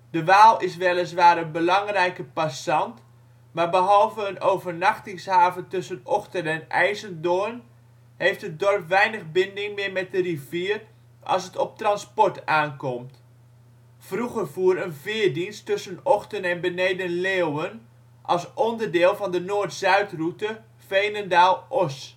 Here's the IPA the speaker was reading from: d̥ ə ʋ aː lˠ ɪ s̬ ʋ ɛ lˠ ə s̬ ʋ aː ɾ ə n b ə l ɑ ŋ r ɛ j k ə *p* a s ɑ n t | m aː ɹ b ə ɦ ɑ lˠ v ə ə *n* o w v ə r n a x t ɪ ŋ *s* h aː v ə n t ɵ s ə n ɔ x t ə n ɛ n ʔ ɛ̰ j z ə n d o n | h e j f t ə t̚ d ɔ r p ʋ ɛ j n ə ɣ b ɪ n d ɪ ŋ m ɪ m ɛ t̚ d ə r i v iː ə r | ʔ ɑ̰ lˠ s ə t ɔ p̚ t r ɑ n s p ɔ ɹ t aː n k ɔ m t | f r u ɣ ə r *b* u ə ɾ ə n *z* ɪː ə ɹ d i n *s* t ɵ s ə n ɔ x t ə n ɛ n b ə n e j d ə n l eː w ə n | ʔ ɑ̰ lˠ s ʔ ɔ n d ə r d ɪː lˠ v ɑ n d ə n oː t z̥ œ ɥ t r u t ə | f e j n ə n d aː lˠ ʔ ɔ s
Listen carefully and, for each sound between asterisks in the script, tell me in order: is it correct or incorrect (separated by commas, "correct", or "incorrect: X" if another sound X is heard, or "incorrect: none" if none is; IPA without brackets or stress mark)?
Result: correct, correct, correct, incorrect: v, incorrect: v, correct